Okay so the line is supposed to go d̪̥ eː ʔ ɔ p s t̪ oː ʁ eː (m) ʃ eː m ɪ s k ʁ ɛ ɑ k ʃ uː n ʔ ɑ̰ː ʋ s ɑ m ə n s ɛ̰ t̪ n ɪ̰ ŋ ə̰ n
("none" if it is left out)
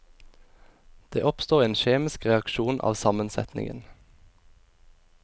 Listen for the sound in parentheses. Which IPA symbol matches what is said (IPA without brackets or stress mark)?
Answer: n